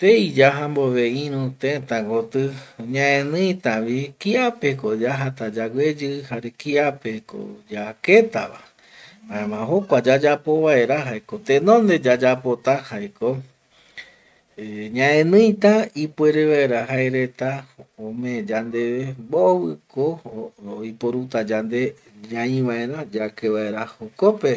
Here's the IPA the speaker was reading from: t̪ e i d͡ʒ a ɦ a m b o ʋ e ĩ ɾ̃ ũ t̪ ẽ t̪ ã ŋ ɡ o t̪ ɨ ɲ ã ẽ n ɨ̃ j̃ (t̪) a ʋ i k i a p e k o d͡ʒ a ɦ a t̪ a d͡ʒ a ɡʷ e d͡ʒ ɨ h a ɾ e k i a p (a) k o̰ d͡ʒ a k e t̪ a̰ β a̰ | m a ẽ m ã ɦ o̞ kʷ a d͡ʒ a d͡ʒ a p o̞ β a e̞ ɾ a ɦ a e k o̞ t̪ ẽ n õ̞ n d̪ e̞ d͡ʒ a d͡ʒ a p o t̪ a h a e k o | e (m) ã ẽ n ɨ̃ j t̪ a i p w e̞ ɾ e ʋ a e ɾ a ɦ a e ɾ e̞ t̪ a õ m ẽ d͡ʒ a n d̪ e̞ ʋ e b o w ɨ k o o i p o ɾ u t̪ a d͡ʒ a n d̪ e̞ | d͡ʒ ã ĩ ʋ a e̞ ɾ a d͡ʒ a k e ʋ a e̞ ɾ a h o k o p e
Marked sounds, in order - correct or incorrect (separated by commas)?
correct, incorrect, incorrect